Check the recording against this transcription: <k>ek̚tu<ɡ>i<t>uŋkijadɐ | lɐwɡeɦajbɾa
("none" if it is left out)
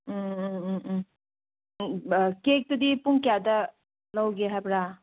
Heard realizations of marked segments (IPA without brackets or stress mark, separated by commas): k, d, p